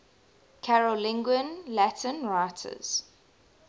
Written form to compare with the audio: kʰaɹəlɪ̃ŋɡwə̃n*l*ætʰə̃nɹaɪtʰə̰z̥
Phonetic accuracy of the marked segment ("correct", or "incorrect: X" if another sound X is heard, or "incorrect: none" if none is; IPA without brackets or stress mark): correct